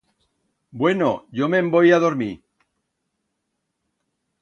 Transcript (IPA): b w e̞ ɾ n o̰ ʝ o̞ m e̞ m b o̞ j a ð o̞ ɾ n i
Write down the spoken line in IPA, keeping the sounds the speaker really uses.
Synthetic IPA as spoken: b w e̞ n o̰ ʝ o̞ m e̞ m b o̞ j a ð o̞ ɾ m i

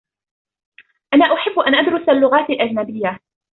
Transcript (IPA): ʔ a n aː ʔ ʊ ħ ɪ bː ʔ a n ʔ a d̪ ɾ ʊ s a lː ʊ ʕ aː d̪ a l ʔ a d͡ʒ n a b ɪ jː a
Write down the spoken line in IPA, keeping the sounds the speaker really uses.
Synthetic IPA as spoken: ʔ a n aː ʔ ʊ ħ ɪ bː ʔ a n ʔ a d̪ ɾ ʊ s a lː ʊ ɣ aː t̪ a l ʔ a d͡ʒ n a b ɪ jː a

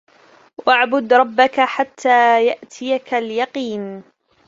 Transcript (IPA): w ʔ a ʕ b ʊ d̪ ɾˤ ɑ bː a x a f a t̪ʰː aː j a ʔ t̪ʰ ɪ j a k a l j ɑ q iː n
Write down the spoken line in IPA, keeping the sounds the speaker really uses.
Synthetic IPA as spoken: w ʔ a ʕ b ʊ d̪ ɾˤ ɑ bː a k a ħ a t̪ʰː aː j a ʔ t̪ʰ ɪ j a k a l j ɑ q iː n

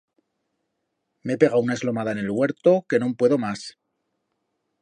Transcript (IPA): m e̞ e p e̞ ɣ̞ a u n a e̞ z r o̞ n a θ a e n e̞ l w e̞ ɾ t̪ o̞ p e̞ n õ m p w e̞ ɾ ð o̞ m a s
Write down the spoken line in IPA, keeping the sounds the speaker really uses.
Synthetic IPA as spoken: m e̞ e p e̞ ɣ̞ a u n a e̞ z l o̞ m a ð a e n e̞ l w e̞ ɾ t̪ o̞ k e̞ n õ m p w e̞ ð o̞ m a s

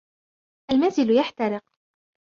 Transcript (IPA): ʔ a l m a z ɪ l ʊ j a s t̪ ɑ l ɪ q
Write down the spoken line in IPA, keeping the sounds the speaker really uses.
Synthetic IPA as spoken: ʔ a l m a z ɪ l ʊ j a ħ t̪ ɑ ɾ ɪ q

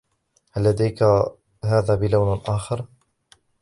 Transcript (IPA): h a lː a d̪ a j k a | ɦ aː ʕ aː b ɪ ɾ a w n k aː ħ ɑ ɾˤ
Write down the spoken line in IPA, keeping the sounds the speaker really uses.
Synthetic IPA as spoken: h a lː a d̪ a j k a | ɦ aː ð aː b ɪ l a w n ʔ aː x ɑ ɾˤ

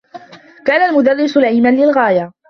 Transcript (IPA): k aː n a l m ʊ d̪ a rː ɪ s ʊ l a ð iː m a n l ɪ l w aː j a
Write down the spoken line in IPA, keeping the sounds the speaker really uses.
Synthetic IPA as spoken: k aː n a l m ʊ d̪ a rː ɪ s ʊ l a ʕ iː m a n l ɪ l ɣ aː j a

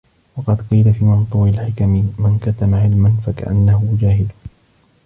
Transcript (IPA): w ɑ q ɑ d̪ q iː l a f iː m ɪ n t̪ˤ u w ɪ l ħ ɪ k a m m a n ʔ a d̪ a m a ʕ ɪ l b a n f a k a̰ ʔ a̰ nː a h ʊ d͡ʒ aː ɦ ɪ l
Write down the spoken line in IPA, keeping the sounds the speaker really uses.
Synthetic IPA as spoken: w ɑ q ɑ d̪ q iː l a f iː m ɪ n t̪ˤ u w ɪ l ħ ɪ k a m m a n k a t̪ a m a ʕ ɪ l m a n f a k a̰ ʔ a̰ nː a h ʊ d͡ʒ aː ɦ ɪ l

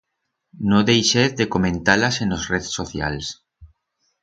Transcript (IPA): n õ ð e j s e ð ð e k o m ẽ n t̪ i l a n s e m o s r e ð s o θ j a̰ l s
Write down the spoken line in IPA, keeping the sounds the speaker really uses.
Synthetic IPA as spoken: n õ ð e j ʃ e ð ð e k o m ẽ n t̪ a l a s e n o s r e ð s o θ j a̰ l s

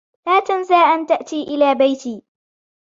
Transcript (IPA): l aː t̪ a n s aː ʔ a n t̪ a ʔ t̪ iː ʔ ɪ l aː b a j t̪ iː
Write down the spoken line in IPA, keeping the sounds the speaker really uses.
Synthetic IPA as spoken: l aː t̪ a n z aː ʔ a n t̪ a ʔ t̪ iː ʔ ɪ l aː b a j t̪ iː

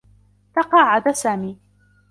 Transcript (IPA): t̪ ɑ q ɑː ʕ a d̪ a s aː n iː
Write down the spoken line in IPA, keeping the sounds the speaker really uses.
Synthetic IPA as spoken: t̪ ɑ q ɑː ʕ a d̪ a s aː m iː

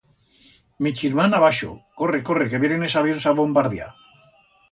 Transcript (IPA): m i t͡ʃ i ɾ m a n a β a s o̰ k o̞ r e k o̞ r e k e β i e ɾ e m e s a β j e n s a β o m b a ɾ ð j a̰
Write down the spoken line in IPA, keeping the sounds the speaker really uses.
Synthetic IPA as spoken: m i t͡ʃ i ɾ m a n a β a ʃ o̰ k o̞ r e k o̞ r e k e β j e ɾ e n e s a β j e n s a β o m b a ɾ ð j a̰

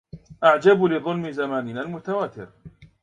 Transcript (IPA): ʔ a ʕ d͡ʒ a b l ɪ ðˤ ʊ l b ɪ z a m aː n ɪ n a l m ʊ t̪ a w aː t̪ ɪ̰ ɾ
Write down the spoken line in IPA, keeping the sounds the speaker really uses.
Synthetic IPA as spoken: ʔ a ʕ d͡ʒ a b l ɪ ðˤ ʊ l m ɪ z a m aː n ɪ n a l m ʊ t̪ a w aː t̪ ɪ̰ ɾ

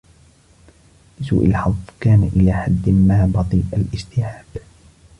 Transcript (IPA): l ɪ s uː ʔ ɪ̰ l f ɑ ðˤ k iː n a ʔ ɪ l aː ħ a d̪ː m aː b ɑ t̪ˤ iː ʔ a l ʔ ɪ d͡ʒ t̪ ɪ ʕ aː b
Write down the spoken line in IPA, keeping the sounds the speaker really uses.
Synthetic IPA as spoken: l ɪ s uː ʔ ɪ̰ l ħ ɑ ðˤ k aː n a ʔ ɪ l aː ħ a d̪ː m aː b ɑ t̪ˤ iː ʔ a l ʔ ɪ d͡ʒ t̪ ɪ ʕ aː b

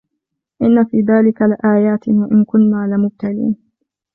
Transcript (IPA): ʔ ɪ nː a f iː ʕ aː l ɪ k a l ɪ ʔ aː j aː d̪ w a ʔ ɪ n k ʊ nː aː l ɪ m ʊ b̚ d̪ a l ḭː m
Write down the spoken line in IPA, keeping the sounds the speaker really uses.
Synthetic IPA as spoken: ʔ ɪ nː a f iː ð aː l ɪ k a l ɪ ʔ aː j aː t̪ w a ʔ ɪ n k ʊ nː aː l ɪ m ʊ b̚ t̪ a l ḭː n

